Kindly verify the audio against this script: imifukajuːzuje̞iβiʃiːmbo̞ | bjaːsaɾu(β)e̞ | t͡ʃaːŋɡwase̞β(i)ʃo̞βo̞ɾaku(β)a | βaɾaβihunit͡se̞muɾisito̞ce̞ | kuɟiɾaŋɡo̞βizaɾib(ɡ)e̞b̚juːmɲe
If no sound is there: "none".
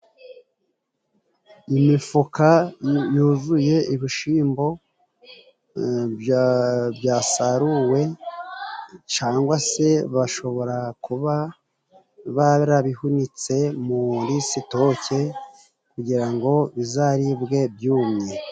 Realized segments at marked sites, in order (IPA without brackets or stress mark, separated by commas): w, a, β, ɡ